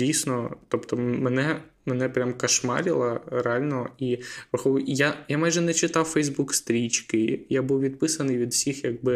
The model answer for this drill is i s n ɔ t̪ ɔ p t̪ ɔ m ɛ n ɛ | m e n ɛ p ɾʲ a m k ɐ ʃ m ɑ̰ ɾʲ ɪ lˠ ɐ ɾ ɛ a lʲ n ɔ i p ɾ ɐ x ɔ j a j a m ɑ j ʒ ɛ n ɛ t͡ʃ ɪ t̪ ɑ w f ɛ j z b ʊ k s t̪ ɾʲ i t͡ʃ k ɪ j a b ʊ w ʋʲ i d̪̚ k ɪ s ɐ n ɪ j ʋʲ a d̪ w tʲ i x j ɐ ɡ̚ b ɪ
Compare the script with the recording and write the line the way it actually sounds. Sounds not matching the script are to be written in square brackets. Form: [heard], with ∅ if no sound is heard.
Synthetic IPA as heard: i s n ɔ t̪ ɔ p t̪ ɔ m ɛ n ɛ | m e n ɛ p ɾʲ a m k ɐ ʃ m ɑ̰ ɾʲ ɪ lˠ ɐ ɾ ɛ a lʲ n ɔ i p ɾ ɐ x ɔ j a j a m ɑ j ʒ ɛ n ɛ t͡ʃ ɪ t̪ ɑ w f ɛ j z b [u] k s t̪ ɾʲ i t͡ʃ k ɪ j a b [u] w ʋʲ i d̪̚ [p] ɪ s ɐ n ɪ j ʋʲ [i] d̪ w [sʲ] i x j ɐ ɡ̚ b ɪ